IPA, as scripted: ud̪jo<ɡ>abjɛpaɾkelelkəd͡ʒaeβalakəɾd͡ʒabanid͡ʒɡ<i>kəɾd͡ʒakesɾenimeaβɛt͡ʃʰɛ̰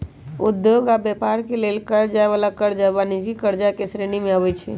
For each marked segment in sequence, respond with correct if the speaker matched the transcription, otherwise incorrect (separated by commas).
correct, correct